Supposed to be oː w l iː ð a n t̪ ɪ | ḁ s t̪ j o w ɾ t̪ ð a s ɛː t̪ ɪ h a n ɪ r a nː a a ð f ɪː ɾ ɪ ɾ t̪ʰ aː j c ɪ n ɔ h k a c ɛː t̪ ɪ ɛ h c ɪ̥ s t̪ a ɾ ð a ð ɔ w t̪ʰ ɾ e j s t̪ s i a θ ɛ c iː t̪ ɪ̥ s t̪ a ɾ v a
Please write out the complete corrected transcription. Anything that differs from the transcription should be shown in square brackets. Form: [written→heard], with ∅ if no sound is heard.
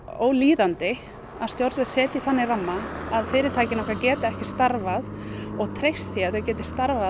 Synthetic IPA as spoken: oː w l iː ð a n t̪ ɪ | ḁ s t̪ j o w ɾ t̪ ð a s ɛː t̪ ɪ [h→θ] a [n→nː] ɪ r a [nː→mː] a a ð f ɪː ɾ ɪ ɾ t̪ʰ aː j c ɪ n ɔ h k a c ɛː t̪ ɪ ɛ h c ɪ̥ s t̪ a ɾ [ð→v] a ð ɔ [w→ɣ] t̪ʰ ɾ e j s t̪ [s→θ] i a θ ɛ c [iː→ɛː] t̪ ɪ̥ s t̪ a ɾ v a

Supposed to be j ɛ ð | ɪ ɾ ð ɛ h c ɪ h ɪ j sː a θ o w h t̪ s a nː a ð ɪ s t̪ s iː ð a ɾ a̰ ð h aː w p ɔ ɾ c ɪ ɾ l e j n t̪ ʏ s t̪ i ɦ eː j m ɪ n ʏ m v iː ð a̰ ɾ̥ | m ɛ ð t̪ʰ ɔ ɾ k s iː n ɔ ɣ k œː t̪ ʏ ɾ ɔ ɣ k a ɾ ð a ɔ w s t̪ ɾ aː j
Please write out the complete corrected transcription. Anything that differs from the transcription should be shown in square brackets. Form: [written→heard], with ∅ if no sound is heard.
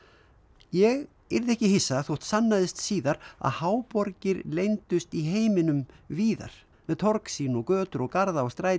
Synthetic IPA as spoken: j ɛ [ð→ɣ] | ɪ ɾ ð ɛ h c ɪ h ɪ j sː a θ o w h t̪ s a nː a ð ɪ s t̪ s iː ð a ɾ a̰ ð h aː w p ɔ ɾ c ɪ ɾ l e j n t̪ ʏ s t̪ i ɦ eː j m ɪ n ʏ m v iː ð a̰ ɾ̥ | m ɛ ð t̪ʰ ɔ ɾ k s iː n ɔ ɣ k œː t̪ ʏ ɾ ɔ ɣ k a ɾ ð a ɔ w s t̪ ɾ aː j

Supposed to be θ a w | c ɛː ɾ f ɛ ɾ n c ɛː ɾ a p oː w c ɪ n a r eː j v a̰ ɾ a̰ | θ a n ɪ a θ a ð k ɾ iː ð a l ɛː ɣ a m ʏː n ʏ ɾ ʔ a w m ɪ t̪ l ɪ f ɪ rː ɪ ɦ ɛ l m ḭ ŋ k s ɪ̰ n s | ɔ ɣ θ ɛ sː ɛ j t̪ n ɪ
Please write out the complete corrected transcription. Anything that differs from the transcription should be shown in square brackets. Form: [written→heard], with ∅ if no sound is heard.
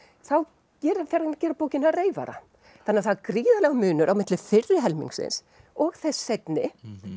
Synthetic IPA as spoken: θ a w | c ɛː ɾ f ɛ ɾ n c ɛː ɾ a p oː w c ɪ n a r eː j v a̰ ɾ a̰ | θ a n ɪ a θ a ð k ɾ iː ð a l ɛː ɣ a m ʏː n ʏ ɾ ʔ a w m ɪ t̪ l ɪ f ɪ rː ɪ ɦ ɛ l m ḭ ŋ k s ɪ̰ n s | ɔ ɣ θ ɛ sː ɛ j t̪ n ɪ

